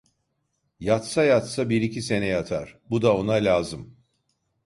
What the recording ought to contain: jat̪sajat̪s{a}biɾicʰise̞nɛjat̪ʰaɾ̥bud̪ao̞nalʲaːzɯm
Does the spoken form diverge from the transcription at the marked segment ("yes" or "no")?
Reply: no